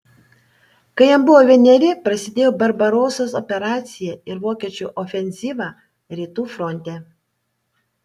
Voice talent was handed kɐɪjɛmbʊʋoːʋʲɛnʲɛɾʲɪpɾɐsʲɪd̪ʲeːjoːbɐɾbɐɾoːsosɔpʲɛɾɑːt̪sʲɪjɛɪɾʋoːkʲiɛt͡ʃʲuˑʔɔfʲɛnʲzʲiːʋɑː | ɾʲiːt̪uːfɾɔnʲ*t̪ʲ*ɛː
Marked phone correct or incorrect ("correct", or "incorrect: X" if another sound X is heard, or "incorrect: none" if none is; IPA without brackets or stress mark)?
correct